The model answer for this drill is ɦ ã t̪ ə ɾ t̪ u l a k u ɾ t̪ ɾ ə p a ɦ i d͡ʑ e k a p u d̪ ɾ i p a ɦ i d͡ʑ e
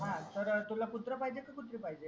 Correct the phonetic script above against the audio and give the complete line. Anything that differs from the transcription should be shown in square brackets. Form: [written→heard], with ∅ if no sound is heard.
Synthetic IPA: ɦ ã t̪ ə ɾ t̪ u l a [k→p] u [ɾ→∅] t̪ ɾ ə p a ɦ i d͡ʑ e k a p u [d̪→t̪] ɾ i p a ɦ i d͡ʑ e